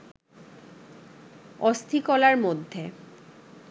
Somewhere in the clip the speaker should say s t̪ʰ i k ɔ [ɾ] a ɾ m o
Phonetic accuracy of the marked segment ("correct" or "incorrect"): incorrect